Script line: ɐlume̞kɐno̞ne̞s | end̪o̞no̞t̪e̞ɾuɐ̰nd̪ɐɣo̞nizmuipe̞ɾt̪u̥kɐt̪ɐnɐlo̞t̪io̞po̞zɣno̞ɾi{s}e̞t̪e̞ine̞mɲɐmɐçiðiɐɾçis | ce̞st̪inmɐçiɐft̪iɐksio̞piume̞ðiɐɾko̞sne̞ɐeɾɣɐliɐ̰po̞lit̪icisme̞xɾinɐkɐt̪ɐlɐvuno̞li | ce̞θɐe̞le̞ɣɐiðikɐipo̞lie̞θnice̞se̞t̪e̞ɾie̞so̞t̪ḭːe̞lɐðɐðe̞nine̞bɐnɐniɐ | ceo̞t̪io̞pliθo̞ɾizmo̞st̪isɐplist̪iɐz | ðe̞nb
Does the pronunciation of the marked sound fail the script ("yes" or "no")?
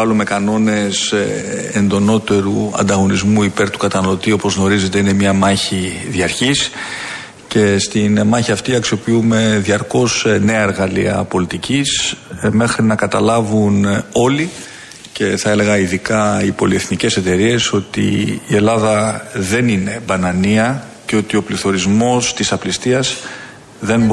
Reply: yes